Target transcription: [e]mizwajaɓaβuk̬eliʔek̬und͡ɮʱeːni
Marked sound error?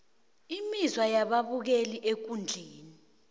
yes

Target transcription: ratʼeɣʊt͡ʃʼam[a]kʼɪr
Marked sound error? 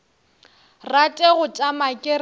no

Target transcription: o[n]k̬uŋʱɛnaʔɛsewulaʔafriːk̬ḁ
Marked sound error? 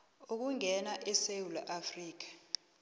yes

